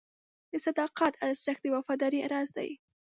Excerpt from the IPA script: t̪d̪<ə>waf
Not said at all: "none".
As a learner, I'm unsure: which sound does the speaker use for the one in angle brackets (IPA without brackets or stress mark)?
ə